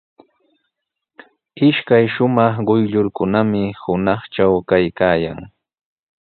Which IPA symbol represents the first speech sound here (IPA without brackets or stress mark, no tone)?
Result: ɪ